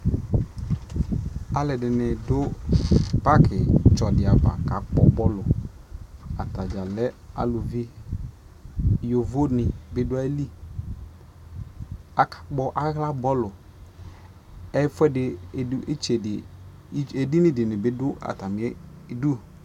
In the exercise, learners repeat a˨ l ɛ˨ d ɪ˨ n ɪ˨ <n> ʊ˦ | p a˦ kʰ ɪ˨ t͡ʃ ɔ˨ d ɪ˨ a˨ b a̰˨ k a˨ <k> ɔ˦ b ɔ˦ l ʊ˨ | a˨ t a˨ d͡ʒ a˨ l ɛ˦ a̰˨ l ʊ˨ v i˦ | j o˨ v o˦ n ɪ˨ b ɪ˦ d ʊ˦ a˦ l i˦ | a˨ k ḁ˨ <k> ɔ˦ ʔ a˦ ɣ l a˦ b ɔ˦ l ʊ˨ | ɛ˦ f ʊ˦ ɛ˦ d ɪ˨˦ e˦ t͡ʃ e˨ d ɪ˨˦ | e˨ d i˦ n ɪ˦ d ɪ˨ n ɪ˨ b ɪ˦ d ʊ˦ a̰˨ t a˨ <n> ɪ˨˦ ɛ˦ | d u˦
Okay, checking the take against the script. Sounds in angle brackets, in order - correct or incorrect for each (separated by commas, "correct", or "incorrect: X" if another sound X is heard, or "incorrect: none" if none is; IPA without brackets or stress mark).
incorrect: d, incorrect: k͡p, incorrect: k͡p, incorrect: m